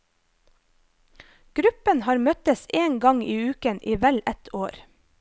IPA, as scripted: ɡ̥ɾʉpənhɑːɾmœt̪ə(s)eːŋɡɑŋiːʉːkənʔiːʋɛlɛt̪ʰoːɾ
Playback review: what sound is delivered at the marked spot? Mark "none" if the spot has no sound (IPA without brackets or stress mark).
s